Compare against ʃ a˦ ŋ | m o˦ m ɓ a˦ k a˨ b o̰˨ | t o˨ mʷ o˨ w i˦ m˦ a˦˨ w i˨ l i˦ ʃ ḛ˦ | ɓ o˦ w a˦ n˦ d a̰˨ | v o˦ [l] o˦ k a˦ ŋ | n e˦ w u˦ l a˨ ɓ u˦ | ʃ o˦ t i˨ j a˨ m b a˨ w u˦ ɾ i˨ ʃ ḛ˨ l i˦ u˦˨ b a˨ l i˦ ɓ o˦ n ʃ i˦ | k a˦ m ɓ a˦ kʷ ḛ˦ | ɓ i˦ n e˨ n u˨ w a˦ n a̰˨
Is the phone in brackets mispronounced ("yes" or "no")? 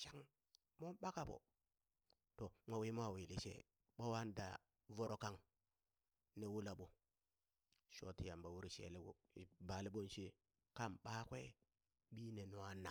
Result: yes